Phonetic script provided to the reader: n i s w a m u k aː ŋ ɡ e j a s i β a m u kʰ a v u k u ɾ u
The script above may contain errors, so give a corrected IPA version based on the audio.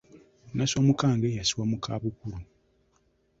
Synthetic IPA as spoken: n a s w a m u k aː ŋ ɡ e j a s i w a m u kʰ a β u k u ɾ u